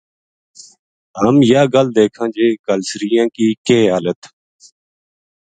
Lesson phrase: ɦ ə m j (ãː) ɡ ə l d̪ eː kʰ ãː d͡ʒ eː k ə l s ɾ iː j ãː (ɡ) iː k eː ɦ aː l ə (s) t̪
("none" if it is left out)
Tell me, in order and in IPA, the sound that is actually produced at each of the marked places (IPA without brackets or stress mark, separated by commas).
aː, k, none